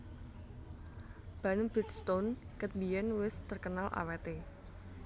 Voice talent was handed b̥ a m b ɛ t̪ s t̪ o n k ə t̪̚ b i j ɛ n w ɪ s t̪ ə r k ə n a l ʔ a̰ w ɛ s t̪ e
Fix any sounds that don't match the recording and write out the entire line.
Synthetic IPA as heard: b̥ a n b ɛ t̪ s t̪ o n k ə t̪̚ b i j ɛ n w ɪ s t̪ ə r k ə n a l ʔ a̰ w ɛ t̪ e